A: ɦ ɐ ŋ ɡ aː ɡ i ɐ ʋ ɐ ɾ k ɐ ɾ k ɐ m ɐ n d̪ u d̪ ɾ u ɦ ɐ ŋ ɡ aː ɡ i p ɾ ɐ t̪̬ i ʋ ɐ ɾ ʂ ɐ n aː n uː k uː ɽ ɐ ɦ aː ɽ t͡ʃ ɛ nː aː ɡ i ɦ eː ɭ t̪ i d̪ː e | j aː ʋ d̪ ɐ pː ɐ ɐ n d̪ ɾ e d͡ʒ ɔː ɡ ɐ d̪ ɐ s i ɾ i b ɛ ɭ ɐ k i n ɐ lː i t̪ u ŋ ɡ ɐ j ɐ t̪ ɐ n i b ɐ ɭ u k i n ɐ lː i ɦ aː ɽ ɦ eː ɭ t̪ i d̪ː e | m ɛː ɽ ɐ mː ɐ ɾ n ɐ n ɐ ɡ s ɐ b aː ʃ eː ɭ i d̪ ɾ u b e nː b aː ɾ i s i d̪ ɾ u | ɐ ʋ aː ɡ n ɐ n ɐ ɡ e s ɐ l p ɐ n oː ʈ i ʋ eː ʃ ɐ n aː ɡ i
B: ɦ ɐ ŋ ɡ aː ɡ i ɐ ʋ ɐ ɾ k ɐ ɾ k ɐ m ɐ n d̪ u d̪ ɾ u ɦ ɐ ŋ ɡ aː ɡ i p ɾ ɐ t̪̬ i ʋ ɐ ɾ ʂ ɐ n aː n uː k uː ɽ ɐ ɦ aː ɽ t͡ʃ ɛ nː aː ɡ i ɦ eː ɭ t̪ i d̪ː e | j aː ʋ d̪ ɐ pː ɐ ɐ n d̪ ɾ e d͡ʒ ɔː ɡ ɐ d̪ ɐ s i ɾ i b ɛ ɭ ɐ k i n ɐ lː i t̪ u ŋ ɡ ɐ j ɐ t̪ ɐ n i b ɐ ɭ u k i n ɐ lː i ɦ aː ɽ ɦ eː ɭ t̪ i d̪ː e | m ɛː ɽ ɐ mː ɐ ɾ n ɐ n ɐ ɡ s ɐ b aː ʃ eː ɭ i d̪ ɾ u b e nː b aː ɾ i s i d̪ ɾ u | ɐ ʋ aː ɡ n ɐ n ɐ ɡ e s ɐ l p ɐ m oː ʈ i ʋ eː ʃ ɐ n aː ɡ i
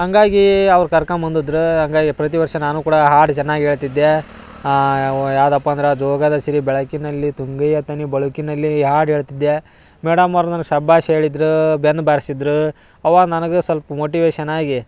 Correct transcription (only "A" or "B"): B